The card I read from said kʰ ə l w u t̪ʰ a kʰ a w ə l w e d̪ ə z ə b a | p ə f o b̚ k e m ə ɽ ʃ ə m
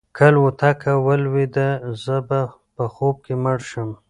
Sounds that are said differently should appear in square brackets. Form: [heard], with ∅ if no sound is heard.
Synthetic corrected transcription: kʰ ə l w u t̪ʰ a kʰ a w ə l w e d̪ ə z ə b a | p ə [x] o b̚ k e m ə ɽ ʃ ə m